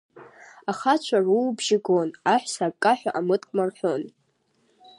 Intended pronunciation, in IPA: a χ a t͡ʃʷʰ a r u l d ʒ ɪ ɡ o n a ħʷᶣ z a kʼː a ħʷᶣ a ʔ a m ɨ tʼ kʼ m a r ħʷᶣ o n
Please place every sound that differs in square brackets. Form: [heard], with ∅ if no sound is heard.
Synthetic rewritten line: a χ a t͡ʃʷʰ a r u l [b] ʒ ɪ ɡ o n a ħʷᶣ [s] a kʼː a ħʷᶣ a ʔ a m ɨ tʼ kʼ m a r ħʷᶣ o n

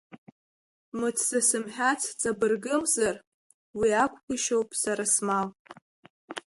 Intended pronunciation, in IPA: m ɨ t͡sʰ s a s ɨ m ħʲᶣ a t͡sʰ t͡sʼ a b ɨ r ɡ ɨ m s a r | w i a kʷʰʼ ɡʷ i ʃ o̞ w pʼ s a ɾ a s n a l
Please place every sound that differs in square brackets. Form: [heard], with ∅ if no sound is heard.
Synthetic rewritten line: m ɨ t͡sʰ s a s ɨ m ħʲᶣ a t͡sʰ t͡sʼ a b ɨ r ɡ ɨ m [z] a r | w i a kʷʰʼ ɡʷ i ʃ o̞ w pʼ s a ɾ a s [m] a l

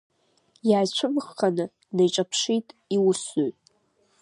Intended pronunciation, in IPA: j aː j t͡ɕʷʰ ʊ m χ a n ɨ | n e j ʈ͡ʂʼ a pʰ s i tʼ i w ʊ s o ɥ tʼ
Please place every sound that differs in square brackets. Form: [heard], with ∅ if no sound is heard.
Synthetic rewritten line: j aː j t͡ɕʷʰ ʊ m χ a n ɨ | n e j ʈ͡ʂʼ a pʰ [ʂ] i tʼ i w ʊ s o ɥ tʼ

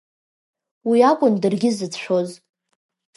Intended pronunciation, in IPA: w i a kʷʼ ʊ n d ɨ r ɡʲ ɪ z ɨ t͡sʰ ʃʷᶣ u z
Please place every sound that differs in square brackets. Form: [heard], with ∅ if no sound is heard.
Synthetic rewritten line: w i a kʷʼ ʊ n d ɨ r ɡʲ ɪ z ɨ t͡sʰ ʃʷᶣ [o] z

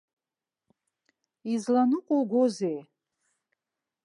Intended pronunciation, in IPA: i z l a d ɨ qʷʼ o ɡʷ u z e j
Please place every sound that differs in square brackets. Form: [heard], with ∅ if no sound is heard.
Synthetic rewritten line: i z l a [n] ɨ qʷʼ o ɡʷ [o] z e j

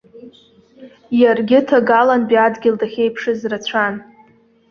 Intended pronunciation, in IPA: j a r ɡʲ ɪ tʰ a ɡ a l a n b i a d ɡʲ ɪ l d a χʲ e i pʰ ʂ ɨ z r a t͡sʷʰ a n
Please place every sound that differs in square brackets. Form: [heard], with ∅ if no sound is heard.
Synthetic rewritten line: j a r ɡʲ ɪ tʰ a ɡ a l a n b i a d ɡʲ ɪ l d a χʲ e [j] pʰ ʂ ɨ z r a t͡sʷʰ a n

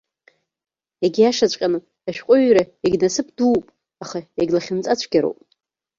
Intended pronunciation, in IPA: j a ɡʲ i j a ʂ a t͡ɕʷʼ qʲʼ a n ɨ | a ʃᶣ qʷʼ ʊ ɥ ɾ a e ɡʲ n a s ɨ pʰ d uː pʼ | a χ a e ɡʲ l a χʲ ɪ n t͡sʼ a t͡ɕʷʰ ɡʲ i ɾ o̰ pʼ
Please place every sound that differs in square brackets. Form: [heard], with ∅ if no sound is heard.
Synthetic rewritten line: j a ɡʲ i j a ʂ a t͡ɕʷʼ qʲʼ a n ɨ | a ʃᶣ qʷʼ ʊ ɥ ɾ a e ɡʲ n a s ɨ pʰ d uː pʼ | a χ a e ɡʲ l a χʲ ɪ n t͡sʼ a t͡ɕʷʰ ɡʲ [a] ɾ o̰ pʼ

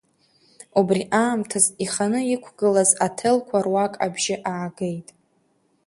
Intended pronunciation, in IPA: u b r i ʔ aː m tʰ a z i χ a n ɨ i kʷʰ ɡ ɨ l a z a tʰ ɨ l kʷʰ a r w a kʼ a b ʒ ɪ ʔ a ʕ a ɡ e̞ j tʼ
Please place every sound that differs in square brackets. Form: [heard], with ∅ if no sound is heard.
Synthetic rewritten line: u b r i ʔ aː m tʰ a z i χ a n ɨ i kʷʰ ɡ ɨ l a z a tʰ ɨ l kʷʰ a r w a kʼ a b ʒ ɪ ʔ a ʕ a ɡ e̞ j tʼ

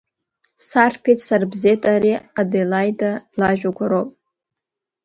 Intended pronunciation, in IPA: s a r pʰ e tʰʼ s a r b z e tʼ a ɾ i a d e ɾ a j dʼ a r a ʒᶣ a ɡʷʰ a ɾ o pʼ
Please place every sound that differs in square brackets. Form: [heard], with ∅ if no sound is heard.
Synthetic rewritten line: s a r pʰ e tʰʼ s a r b z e tʼ a ɾ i a d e [l] a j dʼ a [l] a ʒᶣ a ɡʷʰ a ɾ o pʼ

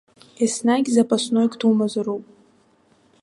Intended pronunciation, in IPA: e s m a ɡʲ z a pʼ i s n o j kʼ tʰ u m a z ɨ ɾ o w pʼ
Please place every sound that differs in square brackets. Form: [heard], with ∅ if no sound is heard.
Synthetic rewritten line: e s [n] a ɡʲ z a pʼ [a] s n o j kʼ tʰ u m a z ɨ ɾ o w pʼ

